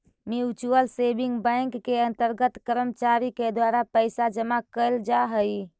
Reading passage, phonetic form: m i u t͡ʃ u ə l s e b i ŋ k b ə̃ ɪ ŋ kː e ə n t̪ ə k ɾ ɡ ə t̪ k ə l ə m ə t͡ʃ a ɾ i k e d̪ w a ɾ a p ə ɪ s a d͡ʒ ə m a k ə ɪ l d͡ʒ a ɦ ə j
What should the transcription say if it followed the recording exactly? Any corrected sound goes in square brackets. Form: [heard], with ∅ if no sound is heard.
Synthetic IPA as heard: m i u t͡ʃ u ə l s e b i ŋ [ɡ] b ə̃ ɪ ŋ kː e ə n t̪ ə [∅] ɾ ɡ ə t̪ k ə [ɾ] ə m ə t͡ʃ a ɾ i k e d̪ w a ɾ a p ə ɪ s a d͡ʒ ə m a k ə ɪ l d͡ʒ a ɦ ə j